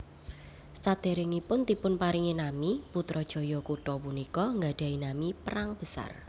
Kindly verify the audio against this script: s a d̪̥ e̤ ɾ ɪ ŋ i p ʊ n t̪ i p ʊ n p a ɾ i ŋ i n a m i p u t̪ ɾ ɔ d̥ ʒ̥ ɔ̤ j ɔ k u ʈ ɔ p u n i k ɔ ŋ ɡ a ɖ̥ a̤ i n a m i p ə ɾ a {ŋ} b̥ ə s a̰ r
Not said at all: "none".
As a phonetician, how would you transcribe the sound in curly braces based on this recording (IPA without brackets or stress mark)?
ŋ